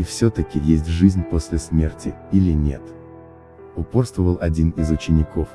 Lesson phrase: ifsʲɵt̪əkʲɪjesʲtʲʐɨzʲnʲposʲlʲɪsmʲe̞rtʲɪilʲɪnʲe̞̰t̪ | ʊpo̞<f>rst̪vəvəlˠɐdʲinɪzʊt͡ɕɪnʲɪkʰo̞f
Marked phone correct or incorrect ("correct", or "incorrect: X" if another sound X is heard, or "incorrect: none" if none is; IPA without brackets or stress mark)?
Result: incorrect: none